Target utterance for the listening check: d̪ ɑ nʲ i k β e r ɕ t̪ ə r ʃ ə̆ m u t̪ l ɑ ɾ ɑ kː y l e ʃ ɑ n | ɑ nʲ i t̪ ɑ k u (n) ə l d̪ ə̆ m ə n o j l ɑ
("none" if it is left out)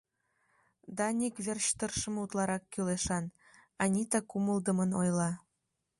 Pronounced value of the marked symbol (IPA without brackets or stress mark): m